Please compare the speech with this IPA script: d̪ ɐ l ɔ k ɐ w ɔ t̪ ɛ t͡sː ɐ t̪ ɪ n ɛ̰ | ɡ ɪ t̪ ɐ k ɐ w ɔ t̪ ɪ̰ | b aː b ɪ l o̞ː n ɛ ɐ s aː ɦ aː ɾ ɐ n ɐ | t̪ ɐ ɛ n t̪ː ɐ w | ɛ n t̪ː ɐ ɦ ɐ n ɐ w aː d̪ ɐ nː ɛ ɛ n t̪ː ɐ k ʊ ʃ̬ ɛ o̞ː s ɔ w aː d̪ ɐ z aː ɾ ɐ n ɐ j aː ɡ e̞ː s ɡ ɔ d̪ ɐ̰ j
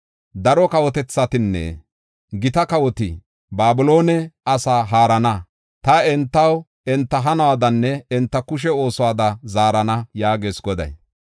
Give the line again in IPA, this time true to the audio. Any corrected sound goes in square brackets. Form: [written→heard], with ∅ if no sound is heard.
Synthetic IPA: d̪ ɐ [l→ɾ] ɔ k ɐ w ɔ t̪ ɛ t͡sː ɐ t̪ ɪ [n→nː] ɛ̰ | ɡ ɪ t̪ ɐ k ɐ w ɔ t̪ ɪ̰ | b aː b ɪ l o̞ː n ɛ ɐ s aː ɦ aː ɾ ɐ n ɐ | t̪ ɐ ɛ n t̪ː ɐ w | ɛ n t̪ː ɐ ɦ ɐ n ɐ w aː d̪ ɐ nː ɛ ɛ n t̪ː ɐ k ʊ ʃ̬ ɛ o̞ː s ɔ w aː d̪ ɐ z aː ɾ ɐ n ɐ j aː ɡ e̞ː s ɡ ɔ d̪ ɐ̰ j

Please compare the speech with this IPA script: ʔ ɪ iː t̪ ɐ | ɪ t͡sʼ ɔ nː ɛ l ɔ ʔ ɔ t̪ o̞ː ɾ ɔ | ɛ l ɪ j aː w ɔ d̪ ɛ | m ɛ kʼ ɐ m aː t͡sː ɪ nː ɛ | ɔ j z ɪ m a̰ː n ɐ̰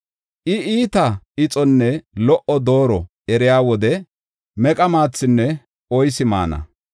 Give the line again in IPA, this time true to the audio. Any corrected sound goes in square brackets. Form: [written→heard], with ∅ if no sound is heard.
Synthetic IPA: ʔ ɪ iː t̪ ɐ | ɪ t͡sʼ ɔ nː ɛ l ɔ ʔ ɔ [t̪→d̪] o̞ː ɾ ɔ | ɛ [l→ɾ] ɪ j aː w ɔ d̪ ɛ | m ɛ kʼ ɐ m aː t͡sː ɪ nː ɛ | ɔ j [z→s] ɪ m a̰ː n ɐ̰

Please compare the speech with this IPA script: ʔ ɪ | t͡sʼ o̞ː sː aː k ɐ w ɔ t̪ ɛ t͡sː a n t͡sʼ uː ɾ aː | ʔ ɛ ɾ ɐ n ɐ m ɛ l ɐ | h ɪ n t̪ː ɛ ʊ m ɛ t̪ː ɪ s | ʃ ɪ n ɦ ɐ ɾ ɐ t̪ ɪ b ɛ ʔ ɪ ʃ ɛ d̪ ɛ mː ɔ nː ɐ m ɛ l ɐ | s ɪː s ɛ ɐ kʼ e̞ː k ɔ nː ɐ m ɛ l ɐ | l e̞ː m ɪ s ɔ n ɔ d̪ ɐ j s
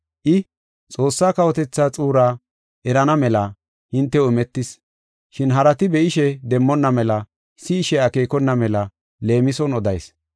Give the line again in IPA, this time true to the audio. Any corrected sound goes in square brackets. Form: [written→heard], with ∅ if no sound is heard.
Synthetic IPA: ʔ ɪ | t͡sʼ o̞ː sː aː k ɐ w ɔ t̪ ɛ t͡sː a [n→∅] t͡sʼ uː ɾ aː | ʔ ɛ ɾ ɐ n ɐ m ɛ l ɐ | h ɪ n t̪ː ɛ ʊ m ɛ t̪ː ɪ s | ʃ ɪ n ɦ ɐ ɾ ɐ t̪ ɪ b ɛ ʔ ɪ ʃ ɛ d̪ ɛ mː ɔ nː ɐ m ɛ l ɐ | s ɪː [s→ʃ] ɛ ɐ [kʼ→k] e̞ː k ɔ nː ɐ m ɛ l ɐ | l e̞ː m ɪ s ɔ n ɔ d̪ ɐ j s

